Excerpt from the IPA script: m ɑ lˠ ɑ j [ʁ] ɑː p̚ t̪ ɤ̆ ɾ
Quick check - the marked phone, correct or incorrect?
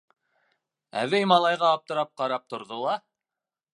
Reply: correct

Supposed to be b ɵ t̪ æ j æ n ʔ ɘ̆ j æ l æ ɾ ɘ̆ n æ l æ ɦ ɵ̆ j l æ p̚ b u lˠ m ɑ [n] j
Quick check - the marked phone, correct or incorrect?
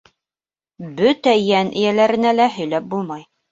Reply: incorrect: none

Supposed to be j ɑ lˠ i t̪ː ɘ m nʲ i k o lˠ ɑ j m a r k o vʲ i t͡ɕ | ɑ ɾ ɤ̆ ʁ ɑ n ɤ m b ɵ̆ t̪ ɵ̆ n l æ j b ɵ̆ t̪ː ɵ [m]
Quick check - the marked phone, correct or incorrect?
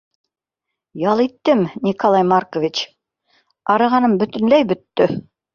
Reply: incorrect: none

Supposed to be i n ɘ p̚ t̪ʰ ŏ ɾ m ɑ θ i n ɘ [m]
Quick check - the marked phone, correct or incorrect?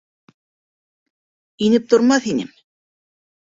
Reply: correct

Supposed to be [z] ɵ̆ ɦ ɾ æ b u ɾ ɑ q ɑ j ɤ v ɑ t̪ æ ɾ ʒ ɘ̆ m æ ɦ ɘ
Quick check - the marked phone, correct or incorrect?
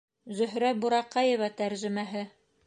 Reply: correct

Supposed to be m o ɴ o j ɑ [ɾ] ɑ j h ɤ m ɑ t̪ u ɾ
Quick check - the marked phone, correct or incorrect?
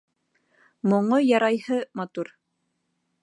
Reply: correct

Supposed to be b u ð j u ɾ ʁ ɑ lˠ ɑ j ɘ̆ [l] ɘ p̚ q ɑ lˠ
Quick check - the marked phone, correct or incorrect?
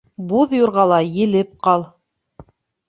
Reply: correct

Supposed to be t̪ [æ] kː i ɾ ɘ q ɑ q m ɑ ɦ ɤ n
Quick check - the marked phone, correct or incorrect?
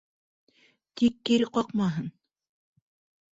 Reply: incorrect: i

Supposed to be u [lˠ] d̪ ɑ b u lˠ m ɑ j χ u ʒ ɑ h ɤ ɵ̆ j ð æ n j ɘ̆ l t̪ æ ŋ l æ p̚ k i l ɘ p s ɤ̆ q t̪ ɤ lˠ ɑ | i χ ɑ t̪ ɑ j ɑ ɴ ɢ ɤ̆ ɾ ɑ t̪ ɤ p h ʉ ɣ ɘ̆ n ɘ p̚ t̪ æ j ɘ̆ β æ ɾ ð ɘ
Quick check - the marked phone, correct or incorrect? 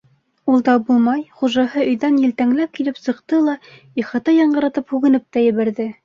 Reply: correct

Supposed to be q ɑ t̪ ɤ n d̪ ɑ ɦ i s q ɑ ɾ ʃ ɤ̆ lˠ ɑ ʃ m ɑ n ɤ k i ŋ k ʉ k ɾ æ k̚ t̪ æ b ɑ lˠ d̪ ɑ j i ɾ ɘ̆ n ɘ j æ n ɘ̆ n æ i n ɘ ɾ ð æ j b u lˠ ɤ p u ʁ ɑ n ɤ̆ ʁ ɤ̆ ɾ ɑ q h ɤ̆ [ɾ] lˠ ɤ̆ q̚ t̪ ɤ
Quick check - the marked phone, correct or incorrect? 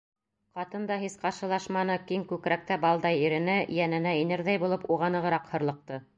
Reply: correct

